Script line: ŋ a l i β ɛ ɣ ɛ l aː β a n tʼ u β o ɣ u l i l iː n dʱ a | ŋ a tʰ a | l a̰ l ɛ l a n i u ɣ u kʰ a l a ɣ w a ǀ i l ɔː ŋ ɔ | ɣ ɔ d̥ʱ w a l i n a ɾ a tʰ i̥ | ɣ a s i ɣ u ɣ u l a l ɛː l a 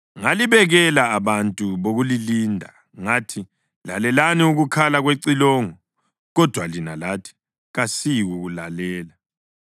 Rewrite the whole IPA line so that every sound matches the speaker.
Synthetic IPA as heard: ŋ a l i β ɛ ɣ ɛ l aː β a n tʼ u β o ɣ u l i l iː n dʱ a | ŋ a tʰ i | l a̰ l ɛ l a n i u ɣ u kʰ a l a ɣ w e ǀ i l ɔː ŋ ɔ | ɣ ɔ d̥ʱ w a l i n a l a tʰ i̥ | ɣ a s i ɣ u ɣ u l a l ɛː l a